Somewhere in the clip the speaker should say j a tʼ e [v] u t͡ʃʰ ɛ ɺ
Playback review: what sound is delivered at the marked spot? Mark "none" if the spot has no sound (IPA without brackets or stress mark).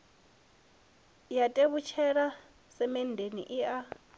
β